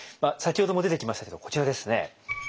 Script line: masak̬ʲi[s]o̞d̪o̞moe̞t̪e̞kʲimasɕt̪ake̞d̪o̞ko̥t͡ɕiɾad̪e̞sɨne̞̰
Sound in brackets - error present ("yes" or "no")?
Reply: yes